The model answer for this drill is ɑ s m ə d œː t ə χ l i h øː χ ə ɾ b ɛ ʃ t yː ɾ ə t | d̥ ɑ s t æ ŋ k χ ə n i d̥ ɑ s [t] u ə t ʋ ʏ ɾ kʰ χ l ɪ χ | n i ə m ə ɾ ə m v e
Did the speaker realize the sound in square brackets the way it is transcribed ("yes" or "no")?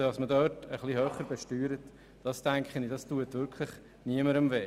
yes